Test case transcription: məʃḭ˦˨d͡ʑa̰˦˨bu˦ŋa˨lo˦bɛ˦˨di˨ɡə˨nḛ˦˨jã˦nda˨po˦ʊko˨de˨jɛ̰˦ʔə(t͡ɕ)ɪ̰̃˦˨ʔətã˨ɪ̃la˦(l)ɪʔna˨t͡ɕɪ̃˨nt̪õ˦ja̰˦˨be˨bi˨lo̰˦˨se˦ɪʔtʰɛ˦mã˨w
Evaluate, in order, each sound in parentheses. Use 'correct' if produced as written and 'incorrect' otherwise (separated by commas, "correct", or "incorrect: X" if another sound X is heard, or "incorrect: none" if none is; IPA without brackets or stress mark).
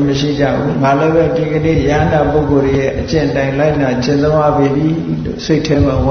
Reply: correct, incorrect: none